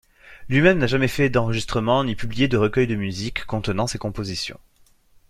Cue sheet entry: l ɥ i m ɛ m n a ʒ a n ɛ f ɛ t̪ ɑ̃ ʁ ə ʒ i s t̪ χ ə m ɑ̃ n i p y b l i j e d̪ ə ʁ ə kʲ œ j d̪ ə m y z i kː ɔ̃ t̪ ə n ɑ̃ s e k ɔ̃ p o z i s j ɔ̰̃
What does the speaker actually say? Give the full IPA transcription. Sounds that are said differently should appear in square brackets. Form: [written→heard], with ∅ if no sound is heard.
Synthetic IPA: l ɥ i m ɛ m n a ʒ a [n→m] ɛ f ɛ [t̪→d̪] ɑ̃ ʁ ə ʒ i s t̪ χ ə m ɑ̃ n i p y b l i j e d̪ ə ʁ ə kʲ œ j d̪ ə m y z i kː ɔ̃ t̪ ə n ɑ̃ s e k ɔ̃ p o z i s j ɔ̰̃